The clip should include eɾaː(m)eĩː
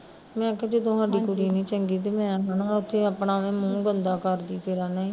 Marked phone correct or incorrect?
incorrect